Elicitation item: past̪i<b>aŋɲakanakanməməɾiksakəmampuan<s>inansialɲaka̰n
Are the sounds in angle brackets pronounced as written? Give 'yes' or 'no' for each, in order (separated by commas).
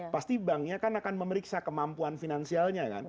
yes, no